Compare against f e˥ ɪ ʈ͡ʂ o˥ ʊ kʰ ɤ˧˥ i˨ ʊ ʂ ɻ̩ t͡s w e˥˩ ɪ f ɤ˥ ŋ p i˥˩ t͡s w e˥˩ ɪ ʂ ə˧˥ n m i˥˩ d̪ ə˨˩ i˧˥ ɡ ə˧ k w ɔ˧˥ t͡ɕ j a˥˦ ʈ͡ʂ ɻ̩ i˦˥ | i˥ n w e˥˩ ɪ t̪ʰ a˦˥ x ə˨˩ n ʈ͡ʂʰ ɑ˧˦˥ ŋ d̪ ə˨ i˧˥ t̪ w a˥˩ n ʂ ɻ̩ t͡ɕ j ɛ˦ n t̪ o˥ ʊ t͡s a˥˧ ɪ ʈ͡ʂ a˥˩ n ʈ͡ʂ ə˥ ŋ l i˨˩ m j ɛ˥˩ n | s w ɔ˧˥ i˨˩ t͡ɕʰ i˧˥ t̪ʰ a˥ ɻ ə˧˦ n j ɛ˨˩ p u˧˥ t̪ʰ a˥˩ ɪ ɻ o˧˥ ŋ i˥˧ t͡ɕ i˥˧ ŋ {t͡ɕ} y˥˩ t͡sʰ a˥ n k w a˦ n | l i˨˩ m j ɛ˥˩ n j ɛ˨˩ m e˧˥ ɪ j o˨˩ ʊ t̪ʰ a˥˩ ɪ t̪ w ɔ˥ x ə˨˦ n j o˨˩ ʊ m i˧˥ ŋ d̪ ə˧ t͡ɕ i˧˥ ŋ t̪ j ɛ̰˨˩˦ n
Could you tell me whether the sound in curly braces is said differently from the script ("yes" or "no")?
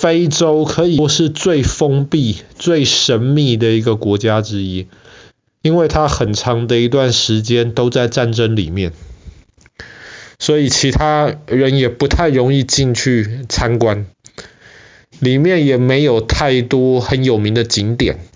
yes